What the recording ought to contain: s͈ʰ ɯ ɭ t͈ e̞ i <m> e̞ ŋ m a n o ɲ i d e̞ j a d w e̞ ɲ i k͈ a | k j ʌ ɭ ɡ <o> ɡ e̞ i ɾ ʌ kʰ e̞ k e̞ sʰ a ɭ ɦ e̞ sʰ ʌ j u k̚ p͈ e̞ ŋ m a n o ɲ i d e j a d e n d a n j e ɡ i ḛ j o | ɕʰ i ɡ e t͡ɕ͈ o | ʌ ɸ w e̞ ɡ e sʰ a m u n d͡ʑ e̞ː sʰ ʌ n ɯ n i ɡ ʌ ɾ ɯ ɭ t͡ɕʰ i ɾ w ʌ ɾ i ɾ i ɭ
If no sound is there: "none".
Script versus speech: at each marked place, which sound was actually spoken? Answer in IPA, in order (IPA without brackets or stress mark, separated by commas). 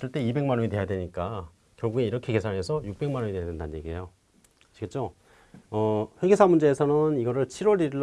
b, u